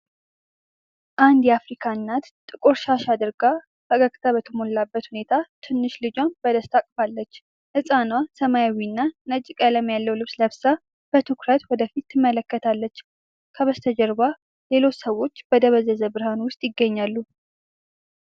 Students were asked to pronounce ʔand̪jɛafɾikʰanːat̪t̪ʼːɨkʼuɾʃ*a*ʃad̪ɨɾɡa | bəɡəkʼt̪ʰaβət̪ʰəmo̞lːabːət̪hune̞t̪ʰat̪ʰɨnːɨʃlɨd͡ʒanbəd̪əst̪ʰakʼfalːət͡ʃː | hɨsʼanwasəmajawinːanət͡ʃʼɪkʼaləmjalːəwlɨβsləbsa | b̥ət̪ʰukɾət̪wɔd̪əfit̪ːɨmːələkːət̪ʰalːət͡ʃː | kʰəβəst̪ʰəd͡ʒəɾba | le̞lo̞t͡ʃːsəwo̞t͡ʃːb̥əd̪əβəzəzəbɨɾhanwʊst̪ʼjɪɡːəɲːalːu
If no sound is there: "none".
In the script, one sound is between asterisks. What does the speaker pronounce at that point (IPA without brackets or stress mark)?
a